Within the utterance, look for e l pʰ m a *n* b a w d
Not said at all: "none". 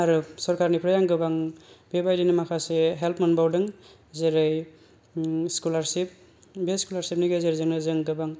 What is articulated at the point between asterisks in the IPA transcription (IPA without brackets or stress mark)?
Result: n